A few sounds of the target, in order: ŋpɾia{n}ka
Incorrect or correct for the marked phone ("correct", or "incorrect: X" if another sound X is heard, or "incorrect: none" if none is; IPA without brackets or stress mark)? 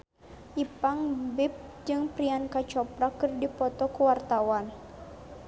correct